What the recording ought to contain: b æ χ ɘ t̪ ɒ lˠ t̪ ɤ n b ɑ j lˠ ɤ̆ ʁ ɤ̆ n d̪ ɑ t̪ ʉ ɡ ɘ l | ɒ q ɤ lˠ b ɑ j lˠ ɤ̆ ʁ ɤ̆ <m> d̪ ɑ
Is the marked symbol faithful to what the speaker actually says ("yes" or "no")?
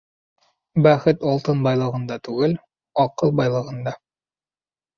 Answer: no